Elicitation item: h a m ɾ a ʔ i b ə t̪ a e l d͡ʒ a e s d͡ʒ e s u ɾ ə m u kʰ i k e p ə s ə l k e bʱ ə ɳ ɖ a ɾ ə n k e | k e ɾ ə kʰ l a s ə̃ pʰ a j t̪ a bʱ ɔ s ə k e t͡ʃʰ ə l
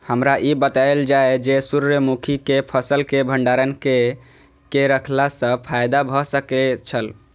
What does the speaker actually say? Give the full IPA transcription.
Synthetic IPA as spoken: h ə m ɾ a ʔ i b ə t̪ a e l d͡ʒ a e d͡ʒ e s u ɾ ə m u kʰ i k e pʰ ə s ə l k e bʱ ə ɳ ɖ a ɾ ə n k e | k e ɾ ə kʰ l a s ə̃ pʰ a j d̪ a bʱ ɔ s ə k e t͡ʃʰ ə l